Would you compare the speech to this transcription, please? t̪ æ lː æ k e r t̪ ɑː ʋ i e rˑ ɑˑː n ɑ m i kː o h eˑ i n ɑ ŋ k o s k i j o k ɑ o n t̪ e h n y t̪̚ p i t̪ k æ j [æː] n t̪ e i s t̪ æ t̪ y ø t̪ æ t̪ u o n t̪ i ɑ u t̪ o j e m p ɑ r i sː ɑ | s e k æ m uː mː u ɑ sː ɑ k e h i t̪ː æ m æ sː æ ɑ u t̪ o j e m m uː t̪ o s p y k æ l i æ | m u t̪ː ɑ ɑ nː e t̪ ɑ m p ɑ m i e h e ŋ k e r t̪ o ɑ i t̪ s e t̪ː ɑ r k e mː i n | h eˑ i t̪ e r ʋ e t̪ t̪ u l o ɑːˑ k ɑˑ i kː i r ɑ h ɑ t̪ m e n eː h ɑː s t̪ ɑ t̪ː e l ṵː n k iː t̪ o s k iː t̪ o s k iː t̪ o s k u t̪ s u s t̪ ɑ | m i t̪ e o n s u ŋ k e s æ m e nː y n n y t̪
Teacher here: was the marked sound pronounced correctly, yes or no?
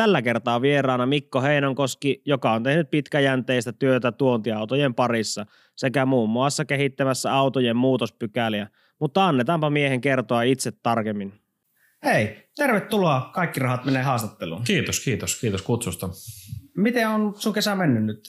no